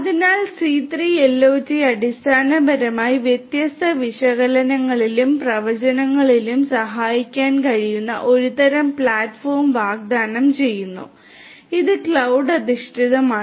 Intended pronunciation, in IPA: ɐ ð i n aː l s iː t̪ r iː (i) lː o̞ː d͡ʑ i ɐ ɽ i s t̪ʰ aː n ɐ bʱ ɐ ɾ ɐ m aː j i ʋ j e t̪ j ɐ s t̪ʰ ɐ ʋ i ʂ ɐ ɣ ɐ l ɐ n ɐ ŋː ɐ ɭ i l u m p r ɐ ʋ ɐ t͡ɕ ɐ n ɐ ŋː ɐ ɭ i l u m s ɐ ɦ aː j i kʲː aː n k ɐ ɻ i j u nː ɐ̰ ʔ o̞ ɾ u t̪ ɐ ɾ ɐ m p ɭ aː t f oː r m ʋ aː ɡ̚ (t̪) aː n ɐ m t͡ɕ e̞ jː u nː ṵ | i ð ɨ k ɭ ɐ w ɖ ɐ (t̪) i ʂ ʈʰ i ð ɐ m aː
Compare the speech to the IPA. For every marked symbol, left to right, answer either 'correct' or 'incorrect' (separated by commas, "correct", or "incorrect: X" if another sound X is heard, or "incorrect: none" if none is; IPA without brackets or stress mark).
incorrect: e, incorrect: d̪, incorrect: d̪